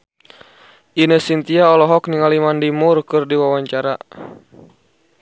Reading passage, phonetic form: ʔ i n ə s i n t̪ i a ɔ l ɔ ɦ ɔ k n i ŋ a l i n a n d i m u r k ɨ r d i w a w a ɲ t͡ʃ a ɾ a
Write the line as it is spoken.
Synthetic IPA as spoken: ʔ i n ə s i n t̪ i a ɔ l ɔ ɦ ɔ k n i ŋ a l i m a n d i m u r k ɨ r d i w a w a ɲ t͡ʃ a ɾ a